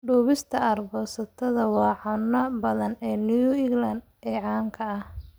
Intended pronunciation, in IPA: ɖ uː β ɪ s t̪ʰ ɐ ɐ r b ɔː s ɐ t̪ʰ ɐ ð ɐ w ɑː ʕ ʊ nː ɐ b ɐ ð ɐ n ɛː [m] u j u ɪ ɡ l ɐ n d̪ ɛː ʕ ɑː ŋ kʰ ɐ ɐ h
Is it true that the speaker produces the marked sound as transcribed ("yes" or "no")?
no